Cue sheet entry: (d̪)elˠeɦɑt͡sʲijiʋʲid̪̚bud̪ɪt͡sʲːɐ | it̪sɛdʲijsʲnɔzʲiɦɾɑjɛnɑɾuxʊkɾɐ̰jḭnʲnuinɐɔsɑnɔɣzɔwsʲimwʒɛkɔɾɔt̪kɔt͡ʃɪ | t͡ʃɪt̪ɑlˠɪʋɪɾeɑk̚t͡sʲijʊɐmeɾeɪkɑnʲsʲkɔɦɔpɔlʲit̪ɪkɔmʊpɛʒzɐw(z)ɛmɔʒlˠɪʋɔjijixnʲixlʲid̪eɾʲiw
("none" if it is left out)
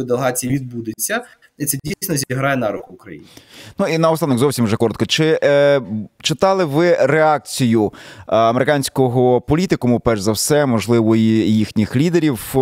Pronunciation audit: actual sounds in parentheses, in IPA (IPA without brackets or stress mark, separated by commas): d̪, s